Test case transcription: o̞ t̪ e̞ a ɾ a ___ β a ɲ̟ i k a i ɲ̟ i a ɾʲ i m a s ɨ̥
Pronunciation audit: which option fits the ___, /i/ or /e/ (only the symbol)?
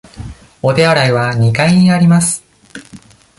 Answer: i